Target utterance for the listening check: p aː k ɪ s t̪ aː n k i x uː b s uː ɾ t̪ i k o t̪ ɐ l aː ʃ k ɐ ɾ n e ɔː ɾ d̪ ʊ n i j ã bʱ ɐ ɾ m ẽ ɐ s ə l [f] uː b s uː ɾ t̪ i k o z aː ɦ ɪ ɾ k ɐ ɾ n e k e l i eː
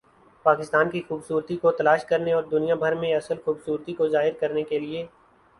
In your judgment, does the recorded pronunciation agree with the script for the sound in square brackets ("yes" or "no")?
no